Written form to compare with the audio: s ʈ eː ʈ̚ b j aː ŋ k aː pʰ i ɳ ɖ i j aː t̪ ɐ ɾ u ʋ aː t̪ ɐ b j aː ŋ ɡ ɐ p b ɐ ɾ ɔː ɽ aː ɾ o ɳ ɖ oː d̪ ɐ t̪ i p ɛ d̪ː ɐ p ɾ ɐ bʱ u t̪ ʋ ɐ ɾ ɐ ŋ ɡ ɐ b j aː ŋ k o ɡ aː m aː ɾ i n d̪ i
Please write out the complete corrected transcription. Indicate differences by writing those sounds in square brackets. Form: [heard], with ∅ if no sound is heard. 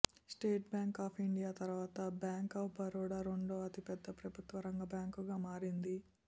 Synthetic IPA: s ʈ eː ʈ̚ b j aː ŋ k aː pʰ i ɳ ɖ i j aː t̪ ɐ ɾ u ʋ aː t̪ ɐ b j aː ŋ [k] ɐ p b ɐ ɾ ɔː ɽ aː ɾ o ɳ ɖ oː [∅] ɐ t̪ i p ɛ d̪ː ɐ p ɾ ɐ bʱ u t̪ ʋ ɐ ɾ ɐ ŋ ɡ ɐ b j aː ŋ k [u] ɡ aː m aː ɾ i n d̪ i